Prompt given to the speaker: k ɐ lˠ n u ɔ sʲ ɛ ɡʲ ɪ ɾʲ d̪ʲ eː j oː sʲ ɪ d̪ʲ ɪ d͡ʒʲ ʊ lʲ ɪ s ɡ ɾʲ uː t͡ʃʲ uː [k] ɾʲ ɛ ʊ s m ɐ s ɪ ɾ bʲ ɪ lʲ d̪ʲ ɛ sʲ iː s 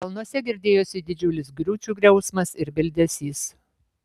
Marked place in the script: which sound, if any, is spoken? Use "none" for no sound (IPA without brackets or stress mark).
ɡ